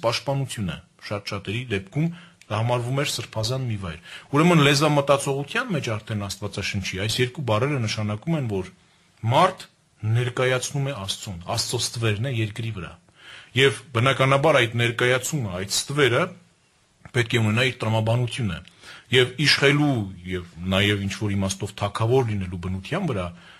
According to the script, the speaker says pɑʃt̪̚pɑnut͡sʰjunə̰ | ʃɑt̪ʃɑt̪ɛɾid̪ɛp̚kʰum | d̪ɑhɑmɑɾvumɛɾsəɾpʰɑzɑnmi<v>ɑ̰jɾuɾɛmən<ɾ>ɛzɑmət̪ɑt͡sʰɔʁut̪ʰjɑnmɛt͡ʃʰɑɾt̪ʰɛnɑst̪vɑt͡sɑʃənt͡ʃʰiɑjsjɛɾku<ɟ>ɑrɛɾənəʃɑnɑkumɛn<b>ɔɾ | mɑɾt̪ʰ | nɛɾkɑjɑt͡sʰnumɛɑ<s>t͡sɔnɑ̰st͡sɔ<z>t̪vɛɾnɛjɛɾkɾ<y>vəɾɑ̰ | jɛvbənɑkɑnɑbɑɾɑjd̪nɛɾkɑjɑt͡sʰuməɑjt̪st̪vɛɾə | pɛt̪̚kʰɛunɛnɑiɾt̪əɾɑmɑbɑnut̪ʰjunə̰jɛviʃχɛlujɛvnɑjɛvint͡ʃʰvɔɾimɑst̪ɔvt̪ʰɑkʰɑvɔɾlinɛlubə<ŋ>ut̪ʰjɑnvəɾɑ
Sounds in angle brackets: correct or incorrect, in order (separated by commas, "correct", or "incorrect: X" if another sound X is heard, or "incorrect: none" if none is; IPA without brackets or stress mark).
correct, incorrect: l, incorrect: b, incorrect: v, correct, incorrect: s, incorrect: i, incorrect: n